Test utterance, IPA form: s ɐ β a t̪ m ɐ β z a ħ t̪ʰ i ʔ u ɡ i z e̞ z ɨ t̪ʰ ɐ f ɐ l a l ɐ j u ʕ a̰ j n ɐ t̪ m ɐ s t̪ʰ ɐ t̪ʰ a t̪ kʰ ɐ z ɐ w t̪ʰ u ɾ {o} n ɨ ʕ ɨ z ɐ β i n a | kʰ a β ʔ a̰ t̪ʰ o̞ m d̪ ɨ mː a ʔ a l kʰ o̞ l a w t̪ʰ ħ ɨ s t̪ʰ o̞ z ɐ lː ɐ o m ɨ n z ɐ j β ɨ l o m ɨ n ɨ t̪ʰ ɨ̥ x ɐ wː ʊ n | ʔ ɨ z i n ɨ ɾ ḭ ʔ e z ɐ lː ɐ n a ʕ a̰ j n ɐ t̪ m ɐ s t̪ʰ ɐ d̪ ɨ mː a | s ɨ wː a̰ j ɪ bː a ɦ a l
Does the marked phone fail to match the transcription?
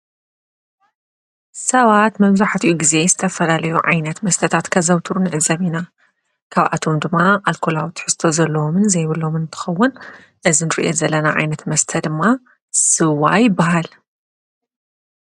yes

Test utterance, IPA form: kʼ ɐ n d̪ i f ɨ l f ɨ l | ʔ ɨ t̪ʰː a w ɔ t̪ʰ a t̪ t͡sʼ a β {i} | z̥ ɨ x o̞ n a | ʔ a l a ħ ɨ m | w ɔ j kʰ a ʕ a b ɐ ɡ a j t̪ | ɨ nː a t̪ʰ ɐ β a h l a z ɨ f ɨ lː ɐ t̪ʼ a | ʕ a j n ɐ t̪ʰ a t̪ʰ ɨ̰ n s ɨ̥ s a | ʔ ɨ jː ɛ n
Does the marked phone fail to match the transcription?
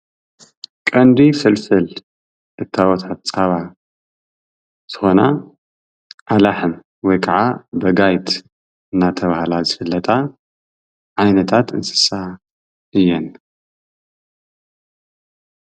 yes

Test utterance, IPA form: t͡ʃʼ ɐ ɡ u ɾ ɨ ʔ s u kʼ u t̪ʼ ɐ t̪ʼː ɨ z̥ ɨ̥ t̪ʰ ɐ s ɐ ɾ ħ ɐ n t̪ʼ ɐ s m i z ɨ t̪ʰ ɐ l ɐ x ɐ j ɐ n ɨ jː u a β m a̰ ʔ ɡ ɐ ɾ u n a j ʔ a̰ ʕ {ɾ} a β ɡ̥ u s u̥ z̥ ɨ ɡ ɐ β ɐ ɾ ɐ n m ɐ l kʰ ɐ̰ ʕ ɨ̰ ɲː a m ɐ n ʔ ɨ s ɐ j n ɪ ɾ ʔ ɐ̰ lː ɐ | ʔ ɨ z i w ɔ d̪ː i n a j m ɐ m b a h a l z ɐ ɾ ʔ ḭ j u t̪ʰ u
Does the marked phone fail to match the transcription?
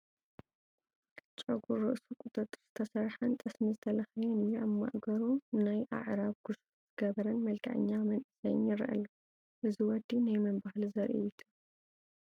no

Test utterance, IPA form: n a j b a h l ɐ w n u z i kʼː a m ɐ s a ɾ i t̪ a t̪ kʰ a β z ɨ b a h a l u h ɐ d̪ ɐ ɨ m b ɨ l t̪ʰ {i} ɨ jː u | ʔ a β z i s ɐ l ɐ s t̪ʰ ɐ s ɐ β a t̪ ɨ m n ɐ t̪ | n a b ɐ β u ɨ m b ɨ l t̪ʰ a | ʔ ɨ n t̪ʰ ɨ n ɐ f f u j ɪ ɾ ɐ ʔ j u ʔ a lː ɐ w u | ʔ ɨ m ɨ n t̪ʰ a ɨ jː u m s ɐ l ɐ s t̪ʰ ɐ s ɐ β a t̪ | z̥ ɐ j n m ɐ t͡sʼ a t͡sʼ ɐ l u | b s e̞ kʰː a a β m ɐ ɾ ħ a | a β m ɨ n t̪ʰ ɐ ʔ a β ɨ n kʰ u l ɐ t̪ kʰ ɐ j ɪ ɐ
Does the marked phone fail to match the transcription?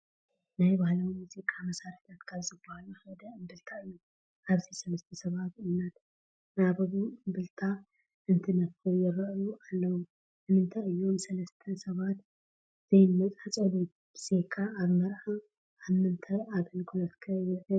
yes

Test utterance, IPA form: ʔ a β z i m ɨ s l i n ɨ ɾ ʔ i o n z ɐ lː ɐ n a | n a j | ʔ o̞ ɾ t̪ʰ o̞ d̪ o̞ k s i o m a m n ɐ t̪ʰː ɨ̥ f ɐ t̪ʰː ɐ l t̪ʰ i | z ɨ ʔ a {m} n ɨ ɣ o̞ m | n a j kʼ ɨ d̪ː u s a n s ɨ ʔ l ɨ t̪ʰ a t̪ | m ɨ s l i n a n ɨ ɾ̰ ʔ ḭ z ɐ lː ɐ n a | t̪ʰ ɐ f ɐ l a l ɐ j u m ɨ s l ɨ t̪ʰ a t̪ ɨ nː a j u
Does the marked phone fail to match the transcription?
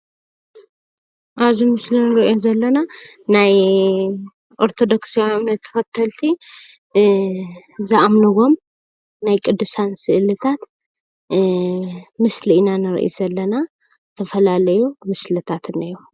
no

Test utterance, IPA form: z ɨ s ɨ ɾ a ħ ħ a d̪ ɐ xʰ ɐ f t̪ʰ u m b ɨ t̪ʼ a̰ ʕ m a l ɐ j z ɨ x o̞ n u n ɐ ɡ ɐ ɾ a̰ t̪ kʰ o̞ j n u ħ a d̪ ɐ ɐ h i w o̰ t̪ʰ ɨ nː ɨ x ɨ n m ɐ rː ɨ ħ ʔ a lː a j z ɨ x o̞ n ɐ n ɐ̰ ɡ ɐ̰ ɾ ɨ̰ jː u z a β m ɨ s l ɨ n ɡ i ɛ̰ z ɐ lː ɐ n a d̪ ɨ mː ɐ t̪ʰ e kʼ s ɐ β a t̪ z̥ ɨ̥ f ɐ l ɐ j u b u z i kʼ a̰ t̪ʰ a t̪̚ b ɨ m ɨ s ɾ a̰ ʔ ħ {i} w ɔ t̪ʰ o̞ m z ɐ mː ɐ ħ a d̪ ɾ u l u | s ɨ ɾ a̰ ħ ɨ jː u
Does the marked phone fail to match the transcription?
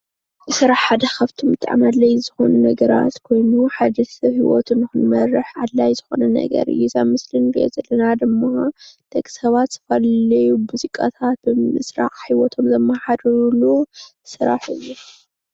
no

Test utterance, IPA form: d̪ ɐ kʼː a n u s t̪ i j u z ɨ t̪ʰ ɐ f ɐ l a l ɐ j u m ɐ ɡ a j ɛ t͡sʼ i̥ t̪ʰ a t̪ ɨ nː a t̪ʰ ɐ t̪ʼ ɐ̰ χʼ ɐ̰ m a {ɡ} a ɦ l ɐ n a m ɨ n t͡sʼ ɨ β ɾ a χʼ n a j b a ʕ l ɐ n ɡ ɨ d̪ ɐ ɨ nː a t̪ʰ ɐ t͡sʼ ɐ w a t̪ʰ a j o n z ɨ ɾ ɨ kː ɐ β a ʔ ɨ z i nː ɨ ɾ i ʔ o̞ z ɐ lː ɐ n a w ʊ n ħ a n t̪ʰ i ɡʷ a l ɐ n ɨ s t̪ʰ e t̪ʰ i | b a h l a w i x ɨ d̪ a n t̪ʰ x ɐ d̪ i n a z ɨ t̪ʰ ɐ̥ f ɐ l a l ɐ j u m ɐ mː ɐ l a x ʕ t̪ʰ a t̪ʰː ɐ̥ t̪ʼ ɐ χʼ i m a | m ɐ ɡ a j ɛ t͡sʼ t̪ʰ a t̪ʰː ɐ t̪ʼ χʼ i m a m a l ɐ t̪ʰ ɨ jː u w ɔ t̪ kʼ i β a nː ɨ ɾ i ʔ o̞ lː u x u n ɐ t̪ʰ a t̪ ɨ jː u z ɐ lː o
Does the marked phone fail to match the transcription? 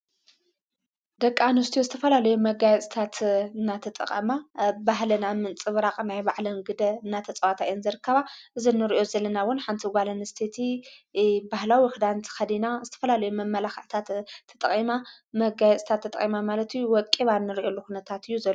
yes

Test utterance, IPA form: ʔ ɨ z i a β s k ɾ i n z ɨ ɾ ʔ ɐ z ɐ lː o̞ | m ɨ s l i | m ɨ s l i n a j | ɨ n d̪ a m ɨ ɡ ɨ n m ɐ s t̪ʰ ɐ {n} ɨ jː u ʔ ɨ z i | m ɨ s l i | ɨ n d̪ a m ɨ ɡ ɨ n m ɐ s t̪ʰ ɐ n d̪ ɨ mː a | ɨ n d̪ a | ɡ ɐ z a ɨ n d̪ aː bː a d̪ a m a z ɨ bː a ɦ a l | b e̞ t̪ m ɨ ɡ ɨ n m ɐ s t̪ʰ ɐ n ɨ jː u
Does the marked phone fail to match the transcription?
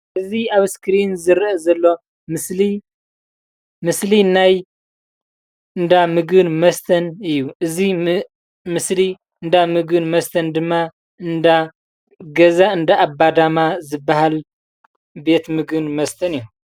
no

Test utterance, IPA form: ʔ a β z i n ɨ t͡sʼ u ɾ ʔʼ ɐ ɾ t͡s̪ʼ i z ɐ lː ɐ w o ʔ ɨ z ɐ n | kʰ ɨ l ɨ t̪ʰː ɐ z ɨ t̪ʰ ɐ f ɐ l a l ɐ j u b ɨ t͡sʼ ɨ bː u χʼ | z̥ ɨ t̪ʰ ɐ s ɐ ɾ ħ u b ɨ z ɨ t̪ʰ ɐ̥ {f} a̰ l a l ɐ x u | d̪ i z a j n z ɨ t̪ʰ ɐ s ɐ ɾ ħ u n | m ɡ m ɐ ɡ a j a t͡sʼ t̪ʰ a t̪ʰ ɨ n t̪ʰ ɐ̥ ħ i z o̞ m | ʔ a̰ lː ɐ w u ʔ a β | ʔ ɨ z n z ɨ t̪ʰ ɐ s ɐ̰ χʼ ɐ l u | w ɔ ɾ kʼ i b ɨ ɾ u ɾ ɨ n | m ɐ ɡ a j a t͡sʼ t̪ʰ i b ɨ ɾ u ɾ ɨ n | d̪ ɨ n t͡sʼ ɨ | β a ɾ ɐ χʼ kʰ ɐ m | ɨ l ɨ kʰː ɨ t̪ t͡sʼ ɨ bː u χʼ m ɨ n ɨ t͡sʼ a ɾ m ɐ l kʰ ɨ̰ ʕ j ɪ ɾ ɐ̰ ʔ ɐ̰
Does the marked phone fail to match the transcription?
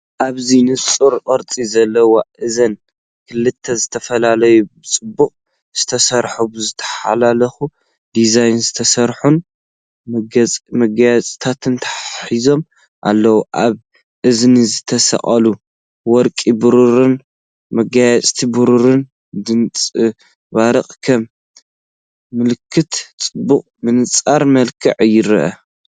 yes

